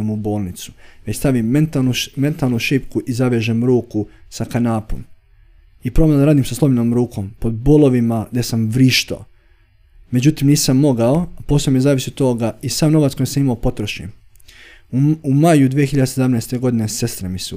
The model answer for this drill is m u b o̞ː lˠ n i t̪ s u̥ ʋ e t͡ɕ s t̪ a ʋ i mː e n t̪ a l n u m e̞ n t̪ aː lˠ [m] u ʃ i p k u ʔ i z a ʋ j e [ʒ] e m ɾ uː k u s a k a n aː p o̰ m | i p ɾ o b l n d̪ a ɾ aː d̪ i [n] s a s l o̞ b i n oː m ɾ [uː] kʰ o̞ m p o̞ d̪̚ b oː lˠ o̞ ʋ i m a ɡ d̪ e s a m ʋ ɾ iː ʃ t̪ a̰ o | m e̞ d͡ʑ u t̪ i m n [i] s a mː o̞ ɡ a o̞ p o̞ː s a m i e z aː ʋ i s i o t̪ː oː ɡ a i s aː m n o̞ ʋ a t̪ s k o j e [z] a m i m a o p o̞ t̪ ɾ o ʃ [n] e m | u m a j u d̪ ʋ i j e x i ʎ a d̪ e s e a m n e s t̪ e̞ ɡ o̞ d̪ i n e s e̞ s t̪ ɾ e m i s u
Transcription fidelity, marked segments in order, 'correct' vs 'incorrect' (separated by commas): incorrect, correct, incorrect, correct, incorrect, incorrect, incorrect